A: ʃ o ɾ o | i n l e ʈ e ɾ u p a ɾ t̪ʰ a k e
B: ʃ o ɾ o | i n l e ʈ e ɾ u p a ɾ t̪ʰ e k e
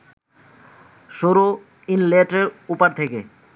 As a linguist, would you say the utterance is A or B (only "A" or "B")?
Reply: B